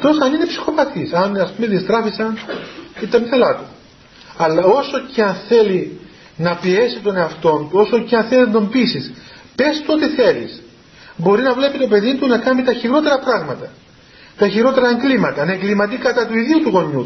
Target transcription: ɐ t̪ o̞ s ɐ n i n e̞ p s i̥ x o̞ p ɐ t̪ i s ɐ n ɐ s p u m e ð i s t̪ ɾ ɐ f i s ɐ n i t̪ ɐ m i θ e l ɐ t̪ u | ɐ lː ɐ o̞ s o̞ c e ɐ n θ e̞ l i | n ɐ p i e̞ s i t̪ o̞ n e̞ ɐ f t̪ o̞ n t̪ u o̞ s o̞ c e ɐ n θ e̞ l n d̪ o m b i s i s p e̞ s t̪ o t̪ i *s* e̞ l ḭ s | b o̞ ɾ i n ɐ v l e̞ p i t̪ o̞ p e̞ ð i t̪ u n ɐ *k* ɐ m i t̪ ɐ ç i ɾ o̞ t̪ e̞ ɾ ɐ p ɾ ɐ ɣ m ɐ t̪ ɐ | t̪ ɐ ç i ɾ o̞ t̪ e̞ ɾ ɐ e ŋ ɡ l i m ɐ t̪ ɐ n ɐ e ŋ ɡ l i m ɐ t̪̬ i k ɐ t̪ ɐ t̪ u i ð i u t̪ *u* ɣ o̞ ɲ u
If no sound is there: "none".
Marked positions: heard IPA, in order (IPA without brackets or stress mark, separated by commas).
θ, k, u